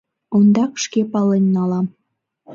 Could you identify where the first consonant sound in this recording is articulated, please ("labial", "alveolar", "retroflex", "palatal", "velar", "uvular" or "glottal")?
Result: alveolar